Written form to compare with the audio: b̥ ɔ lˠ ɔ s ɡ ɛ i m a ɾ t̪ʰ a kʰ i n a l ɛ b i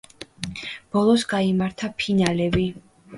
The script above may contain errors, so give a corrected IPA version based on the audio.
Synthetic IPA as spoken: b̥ ɔ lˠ ɔ s ɡ a i m a ɾ t̪ʰ a pʰ i n a l ɛ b i